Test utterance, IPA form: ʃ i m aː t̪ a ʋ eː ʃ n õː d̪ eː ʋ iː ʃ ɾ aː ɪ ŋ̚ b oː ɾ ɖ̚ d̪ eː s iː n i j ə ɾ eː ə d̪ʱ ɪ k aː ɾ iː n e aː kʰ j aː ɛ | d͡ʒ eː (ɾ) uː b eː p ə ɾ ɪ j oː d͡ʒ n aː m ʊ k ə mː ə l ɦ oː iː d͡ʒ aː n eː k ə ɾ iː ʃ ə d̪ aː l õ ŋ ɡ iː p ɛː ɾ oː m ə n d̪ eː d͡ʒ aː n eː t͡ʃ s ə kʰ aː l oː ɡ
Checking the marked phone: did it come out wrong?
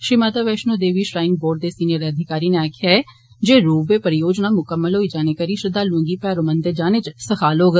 no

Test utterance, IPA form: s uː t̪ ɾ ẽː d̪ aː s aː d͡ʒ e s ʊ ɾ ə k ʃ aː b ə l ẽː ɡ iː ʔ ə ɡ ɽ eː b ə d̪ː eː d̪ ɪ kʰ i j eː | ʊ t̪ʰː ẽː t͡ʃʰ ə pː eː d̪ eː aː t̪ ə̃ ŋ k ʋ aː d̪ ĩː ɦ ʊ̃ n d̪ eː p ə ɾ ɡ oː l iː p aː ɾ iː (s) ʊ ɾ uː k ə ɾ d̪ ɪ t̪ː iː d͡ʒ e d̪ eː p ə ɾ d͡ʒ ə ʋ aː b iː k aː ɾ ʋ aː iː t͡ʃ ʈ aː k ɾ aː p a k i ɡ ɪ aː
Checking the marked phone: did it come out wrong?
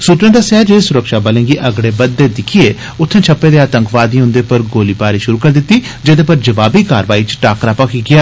yes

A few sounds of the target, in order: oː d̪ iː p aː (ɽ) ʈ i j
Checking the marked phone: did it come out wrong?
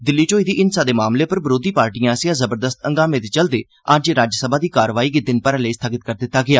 yes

